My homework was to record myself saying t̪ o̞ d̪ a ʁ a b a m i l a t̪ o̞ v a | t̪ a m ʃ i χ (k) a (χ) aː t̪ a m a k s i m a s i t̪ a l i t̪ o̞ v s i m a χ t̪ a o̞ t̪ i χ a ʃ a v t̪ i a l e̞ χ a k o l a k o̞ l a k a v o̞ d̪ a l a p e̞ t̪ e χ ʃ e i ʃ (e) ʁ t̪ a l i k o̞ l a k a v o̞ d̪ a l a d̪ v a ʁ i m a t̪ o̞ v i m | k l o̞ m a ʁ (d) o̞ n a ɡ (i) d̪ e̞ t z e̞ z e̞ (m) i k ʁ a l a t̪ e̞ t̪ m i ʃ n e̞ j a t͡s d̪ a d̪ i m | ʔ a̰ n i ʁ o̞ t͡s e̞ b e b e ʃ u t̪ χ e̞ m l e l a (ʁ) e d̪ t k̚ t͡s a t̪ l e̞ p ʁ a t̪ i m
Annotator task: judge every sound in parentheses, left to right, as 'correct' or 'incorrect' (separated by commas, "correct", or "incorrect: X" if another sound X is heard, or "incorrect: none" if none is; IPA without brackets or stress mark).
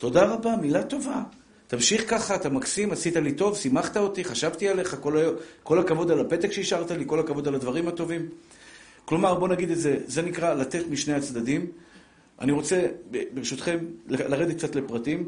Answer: correct, correct, incorrect: a, incorrect: b, correct, incorrect: n, correct